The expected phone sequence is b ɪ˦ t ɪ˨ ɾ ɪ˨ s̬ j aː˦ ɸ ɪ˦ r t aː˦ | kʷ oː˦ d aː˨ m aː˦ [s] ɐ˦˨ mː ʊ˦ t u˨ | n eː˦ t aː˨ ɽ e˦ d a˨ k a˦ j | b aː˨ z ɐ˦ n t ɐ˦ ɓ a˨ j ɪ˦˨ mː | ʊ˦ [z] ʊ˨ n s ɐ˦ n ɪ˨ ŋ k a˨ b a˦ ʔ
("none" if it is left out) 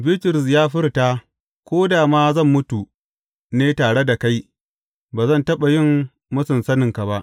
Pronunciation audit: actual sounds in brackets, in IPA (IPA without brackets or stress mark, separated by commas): z, s